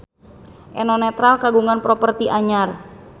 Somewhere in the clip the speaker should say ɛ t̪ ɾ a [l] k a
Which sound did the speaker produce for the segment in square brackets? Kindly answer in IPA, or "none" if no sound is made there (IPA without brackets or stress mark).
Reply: l